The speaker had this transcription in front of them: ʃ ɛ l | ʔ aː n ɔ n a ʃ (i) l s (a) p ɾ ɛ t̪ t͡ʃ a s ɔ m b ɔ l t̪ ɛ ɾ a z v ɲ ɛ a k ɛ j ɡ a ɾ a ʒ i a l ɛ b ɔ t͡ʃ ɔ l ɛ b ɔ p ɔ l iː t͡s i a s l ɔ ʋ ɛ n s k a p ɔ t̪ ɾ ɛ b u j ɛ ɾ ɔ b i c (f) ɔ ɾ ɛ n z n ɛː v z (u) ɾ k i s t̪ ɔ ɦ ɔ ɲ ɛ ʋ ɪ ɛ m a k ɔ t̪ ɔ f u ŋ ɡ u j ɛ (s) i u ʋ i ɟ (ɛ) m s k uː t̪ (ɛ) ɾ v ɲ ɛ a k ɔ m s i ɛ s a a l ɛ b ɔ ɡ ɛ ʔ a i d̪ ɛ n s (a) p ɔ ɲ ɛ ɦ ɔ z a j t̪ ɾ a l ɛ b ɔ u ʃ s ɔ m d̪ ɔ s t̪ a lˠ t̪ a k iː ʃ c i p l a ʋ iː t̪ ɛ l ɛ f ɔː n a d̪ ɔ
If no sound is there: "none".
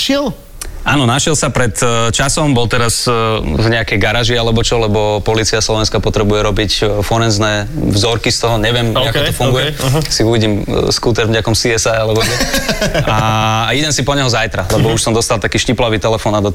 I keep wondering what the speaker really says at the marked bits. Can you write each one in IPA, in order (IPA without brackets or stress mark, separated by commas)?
ɛ, a, f, ɔ, s, i, ɛ, i